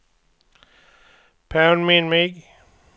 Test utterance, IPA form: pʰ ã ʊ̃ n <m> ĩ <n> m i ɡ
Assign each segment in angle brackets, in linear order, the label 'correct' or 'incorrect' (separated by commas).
correct, correct